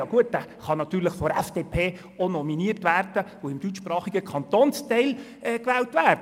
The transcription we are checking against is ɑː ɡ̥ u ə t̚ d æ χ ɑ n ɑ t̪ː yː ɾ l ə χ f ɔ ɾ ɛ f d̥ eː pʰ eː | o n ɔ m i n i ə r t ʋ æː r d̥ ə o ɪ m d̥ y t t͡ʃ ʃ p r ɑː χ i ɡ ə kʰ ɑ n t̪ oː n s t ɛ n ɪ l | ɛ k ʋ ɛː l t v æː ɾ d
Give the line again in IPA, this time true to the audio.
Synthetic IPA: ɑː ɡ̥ u ə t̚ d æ χ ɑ n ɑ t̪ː yː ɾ l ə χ f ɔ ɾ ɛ f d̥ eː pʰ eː | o n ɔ m i n i ə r t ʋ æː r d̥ ə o ɪ m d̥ y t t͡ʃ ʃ p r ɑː χ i ɡ ə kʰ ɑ n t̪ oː n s t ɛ ɪ l | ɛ k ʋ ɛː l t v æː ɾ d